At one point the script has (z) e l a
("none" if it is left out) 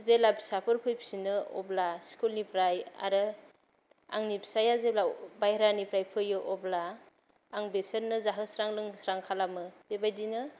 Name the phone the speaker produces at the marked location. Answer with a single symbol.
z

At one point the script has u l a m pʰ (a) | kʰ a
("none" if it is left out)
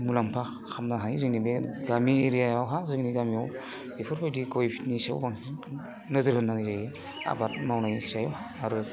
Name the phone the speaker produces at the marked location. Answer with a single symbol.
a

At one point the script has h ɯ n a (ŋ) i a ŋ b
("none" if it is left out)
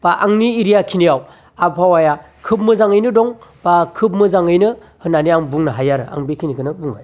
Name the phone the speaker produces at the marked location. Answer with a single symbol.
n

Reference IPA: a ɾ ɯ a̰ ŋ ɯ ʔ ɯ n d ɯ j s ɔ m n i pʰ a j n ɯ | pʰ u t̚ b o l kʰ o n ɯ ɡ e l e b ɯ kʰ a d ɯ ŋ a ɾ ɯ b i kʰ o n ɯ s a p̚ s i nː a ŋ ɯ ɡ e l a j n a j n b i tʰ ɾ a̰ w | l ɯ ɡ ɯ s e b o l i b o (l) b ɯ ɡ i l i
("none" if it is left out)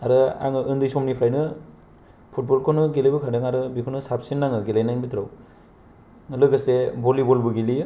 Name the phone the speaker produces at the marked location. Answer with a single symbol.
l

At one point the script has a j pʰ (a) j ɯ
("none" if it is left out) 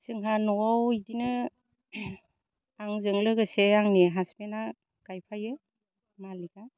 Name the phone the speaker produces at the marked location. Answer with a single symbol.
a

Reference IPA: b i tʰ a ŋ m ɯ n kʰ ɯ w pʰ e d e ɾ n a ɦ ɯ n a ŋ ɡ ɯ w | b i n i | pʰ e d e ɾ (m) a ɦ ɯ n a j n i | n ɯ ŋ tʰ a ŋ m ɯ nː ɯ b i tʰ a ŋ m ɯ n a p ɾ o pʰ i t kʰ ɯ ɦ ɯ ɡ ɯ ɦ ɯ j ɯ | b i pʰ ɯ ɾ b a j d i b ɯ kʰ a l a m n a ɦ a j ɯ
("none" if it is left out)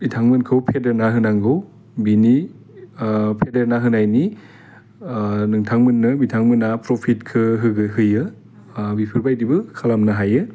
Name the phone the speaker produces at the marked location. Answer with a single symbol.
n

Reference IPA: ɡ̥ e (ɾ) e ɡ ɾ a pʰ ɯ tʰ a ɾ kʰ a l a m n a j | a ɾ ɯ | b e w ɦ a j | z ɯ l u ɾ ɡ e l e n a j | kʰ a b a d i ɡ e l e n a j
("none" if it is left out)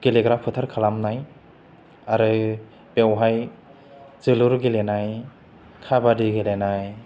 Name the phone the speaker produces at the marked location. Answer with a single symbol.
l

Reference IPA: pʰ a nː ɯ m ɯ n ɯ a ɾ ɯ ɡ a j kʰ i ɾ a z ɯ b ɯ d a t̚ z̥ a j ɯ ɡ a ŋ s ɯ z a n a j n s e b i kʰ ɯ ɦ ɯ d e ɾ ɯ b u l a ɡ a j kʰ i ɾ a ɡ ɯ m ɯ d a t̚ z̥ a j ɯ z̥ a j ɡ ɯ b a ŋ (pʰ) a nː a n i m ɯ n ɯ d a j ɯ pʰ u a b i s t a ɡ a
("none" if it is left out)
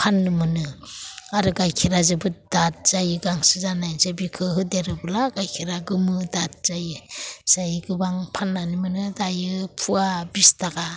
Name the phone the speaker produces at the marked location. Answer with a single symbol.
pʰ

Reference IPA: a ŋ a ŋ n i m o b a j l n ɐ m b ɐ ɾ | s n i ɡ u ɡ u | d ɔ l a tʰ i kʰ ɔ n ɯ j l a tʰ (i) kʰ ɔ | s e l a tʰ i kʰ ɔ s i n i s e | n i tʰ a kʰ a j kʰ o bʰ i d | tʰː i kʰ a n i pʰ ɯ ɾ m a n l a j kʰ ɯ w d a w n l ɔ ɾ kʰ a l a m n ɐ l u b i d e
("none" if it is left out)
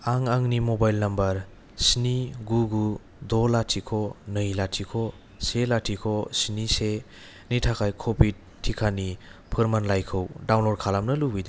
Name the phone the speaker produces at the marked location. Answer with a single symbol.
i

